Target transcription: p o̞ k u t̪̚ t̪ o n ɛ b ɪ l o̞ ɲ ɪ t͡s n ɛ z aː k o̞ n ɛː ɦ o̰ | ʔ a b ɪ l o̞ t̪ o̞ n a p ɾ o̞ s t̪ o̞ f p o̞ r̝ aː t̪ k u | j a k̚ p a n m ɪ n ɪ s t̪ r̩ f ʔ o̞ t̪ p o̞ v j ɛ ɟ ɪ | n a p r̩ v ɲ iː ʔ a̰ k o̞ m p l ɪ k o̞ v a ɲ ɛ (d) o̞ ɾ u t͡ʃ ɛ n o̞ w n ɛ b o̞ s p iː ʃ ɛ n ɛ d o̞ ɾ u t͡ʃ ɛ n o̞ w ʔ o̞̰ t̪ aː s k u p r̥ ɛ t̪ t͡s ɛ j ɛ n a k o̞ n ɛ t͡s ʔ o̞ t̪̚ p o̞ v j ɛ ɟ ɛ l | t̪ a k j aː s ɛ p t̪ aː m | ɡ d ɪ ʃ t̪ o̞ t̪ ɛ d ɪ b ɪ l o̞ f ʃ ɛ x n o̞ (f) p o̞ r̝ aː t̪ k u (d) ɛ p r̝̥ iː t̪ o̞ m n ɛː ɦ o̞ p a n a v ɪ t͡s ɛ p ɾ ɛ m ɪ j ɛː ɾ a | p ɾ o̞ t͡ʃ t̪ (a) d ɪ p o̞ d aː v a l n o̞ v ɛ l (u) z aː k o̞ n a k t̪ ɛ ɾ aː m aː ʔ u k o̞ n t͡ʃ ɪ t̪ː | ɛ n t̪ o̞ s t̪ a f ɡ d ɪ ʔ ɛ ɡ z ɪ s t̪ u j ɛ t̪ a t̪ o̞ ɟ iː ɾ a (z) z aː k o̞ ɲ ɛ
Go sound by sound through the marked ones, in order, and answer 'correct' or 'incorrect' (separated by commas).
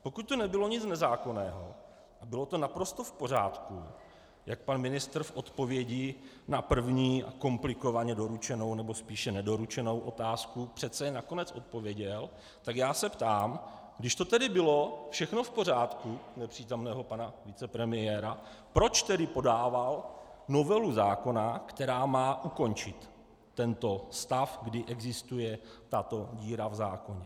correct, correct, incorrect, incorrect, correct, incorrect